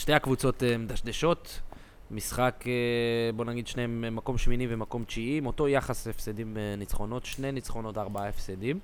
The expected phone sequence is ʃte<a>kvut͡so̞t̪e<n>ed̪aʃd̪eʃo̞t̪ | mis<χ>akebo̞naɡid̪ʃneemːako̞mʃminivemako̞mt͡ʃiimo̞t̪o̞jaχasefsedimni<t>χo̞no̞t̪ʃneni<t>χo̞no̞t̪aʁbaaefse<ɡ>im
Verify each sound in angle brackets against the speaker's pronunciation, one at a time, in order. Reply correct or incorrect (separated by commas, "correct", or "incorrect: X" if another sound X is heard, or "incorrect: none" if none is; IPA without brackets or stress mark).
correct, incorrect: m, correct, incorrect: t͡s, incorrect: t͡s, incorrect: d